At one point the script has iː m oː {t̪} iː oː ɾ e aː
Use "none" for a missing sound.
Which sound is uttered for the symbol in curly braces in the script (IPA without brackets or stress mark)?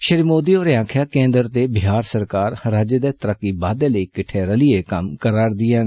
d̪